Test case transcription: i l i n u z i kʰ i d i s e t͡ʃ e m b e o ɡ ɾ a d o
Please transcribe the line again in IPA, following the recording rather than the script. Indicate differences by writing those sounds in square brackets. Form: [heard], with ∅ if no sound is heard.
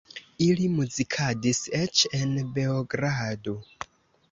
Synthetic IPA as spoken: i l i [m] u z i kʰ [a] d i s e t͡ʃ e [n] b e o ɡ ɾ a d o